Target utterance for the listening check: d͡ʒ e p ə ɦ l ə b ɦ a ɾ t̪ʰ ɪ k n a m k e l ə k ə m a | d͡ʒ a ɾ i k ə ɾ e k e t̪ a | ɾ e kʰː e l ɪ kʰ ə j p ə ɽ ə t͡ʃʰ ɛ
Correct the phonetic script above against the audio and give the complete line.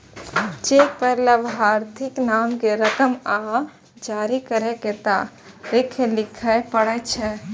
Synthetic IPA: d͡ʒ e p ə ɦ l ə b ɦ a ɾ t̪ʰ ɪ k n a m k e ɾ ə k ə m a | d͡ʒ a ɾ i k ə ɾ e k e t̪ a | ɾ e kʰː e l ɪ kʰ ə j p ə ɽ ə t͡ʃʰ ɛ